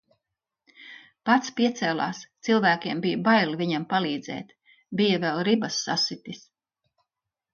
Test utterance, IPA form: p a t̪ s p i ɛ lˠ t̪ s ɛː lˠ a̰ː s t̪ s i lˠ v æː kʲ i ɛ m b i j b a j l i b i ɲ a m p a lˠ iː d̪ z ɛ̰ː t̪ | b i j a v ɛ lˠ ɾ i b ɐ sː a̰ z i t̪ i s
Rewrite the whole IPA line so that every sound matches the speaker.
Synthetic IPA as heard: p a t̪ s p i ɛ t̪ s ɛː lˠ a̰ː s t̪ s i lˠ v æː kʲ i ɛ m b i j b a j l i v i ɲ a m p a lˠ iː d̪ z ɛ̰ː t̪ | b i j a v ɛ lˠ ɾ i b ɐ sː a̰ s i t̪ i s